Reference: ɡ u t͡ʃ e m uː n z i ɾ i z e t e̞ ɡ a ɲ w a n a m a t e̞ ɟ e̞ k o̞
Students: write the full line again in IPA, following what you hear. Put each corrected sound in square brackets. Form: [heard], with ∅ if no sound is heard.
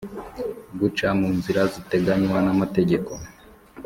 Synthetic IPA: ɡ u t͡ʃ [a] m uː n z i ɾ [a] z [i] t e̞ ɡ a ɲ w a n a m a t e̞ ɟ e̞ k o̞